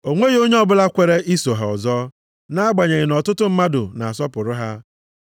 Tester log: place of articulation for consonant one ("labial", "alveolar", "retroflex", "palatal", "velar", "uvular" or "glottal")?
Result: velar